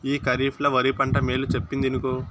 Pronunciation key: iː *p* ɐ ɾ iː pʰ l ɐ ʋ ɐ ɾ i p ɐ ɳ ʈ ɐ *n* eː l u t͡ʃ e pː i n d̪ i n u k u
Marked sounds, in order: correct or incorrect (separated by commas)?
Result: incorrect, incorrect